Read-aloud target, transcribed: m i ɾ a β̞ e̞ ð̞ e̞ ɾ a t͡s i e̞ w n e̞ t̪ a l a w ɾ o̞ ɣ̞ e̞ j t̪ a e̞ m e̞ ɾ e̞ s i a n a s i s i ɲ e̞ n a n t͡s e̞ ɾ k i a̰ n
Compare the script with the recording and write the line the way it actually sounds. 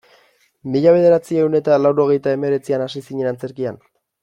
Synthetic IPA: m i ʎ a β̞ e̞ ð̞ e̞ ɾ a t͡s i e̞ w n e̞ t̪ a l a w ɾ o̞ ɣ̞ e̞ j t̪ a e̞ m e̞ ɾ e̞ t͡s i a n a s i s i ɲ e̞ n a n t͡s e̞ ɾ k i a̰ n